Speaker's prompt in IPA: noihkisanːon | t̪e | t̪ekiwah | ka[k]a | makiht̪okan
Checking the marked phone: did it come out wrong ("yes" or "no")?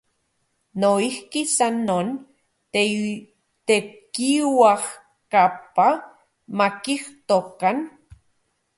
yes